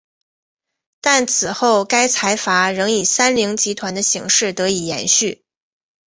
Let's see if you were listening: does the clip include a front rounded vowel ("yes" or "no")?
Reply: yes